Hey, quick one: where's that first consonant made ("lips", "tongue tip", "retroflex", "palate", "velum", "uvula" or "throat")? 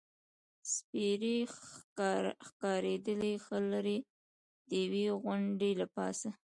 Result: tongue tip